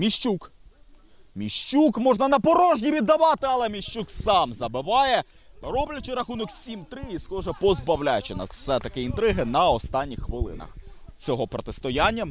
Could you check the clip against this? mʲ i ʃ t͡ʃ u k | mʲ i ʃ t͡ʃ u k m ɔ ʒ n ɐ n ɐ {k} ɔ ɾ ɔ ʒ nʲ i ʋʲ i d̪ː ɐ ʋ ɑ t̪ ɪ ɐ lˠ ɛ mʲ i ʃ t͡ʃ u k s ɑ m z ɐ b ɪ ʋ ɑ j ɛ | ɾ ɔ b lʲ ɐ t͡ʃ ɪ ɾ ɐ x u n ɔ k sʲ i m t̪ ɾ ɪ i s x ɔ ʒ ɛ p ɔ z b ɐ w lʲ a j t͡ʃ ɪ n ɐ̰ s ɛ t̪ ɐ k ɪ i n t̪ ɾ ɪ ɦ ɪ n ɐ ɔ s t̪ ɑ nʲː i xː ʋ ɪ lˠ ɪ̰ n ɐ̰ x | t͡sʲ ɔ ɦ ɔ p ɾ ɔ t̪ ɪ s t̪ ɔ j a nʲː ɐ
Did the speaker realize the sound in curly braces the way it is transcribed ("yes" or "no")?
no